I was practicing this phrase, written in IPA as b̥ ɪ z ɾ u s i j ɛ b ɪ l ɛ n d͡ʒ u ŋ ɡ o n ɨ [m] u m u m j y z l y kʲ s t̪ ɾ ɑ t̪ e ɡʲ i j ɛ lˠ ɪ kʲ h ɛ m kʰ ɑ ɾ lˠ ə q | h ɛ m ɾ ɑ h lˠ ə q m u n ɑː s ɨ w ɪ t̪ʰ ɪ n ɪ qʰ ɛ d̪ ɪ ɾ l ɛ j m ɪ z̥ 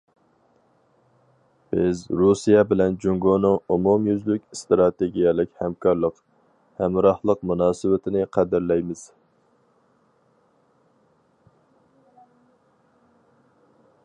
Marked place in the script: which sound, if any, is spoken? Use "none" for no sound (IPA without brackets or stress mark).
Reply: ŋ